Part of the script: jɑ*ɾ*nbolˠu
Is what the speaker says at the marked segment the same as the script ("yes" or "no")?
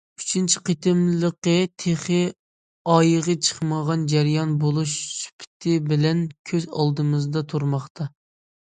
no